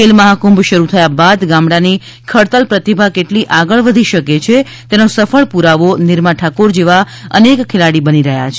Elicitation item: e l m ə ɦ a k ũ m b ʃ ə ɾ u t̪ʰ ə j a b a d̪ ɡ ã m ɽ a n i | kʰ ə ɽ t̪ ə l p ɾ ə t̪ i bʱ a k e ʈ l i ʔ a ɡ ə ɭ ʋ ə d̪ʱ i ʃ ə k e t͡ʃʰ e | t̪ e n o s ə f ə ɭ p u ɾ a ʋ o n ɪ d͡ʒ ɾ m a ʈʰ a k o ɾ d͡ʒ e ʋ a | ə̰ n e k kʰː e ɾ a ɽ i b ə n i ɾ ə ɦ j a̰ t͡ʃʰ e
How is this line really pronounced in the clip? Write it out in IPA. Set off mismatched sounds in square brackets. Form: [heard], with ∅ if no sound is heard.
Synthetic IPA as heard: e l m ə ɦ a k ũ m b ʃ ə ɾ u t̪ʰ ə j a b a d̪ ɡ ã m ɽ a n i | kʰ ə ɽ t̪ ə l p ɾ ə t̪ i bʱ a k e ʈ l i ʔ a ɡ ə ɭ ʋ ə d̪ʱ i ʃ ə k e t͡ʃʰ e | t̪ e n o s ə f ə ɭ p u ɾ a ʋ o n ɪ [∅] ɾ m a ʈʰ a k o ɾ d͡ʒ e ʋ a | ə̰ n e k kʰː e [l] a ɽ i b ə n i ɾ ə ɦ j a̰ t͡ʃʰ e

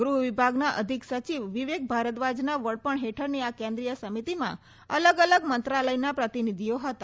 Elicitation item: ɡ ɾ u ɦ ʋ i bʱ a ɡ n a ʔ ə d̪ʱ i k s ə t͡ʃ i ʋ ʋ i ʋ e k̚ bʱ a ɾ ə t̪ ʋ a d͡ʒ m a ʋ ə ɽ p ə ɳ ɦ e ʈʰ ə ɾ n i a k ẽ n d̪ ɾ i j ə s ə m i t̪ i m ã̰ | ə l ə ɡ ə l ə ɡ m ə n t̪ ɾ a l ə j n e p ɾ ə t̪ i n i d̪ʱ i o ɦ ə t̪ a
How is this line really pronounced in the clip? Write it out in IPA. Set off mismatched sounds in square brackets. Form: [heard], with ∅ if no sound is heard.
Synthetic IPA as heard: ɡ ɾ u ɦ ʋ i bʱ a ɡ n a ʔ ə d̪ʱ i k s ə t͡ʃ i ʋ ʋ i ʋ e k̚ bʱ a ɾ ə t̪ ʋ a d͡ʒ [n] a ʋ ə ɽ p ə ɳ ɦ e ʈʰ ə ɾ n i a k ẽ n d̪ ɾ i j ə s ə m i t̪ i m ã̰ | ə l ə ɡ ə l ə ɡ m ə n t̪ ɾ a l ə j n [a] p ɾ ə t̪ i n i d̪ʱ i o ɦ ə t̪ a

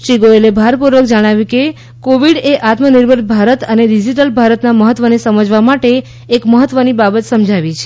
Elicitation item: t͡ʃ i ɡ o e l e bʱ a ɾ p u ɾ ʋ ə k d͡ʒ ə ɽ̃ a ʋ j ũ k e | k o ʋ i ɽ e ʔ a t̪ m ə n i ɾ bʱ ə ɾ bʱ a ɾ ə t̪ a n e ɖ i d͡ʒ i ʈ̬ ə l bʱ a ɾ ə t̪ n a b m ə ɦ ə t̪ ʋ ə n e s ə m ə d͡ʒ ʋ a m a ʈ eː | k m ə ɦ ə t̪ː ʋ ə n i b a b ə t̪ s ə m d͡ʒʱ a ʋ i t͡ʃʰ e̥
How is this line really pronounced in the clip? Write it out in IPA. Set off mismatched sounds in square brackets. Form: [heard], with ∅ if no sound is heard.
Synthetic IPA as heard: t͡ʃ i ɡ o e l e bʱ a ɾ p u ɾ ʋ ə k d͡ʒ ə ɽ̃ a ʋ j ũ k e | k o ʋ i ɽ e ʔ a t̪ m ə n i ɾ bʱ ə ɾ bʱ a ɾ ə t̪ [ə] n e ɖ i d͡ʒ i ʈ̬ ə l bʱ a ɾ ə t̪ n a [∅] m ə ɦ ə t̪ ʋ ə n e s ə m ə d͡ʒ ʋ a m a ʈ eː | k m ə ɦ ə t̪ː ʋ ə n i b a b ə t̪ s ə m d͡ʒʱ a ʋ i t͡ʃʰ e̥

